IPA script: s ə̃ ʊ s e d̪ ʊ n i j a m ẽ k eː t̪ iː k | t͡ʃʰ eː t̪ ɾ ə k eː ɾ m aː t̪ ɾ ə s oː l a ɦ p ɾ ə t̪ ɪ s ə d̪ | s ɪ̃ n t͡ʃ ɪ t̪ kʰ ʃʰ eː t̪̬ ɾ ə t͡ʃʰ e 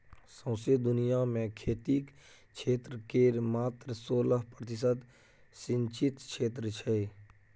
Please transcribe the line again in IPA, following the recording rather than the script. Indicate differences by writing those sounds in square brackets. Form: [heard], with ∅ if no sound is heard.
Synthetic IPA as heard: s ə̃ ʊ s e d̪ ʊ n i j a m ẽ [kʰ] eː t̪ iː k | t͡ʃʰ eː t̪ ɾ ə k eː ɾ m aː t̪ ɾ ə s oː l [ə] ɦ p ɾ ə t̪ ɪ s ə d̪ | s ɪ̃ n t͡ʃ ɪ t̪ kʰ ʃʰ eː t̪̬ ɾ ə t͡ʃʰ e